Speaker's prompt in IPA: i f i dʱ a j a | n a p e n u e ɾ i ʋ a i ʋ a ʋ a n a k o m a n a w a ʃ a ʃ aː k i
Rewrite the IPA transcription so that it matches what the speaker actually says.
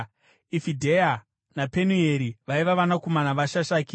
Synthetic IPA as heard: i f i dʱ e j a | n a p e n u e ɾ i ʋ a i ʋ a ʋ a n a k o m a n a ʋ a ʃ a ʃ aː k i

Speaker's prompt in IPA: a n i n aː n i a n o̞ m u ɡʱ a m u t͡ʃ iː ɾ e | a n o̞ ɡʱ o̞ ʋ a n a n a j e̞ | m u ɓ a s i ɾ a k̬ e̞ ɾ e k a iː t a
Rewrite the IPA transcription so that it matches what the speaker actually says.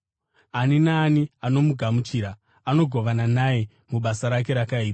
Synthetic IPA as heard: a n i n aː n i a n o̞ m u ɡʱ a m u t͡ʃ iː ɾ a | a n o̞ ɡʱ o̞ ʋ a n a n a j e̞ | m u ɓ a s a ɾ a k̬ e̞ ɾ a k a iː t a

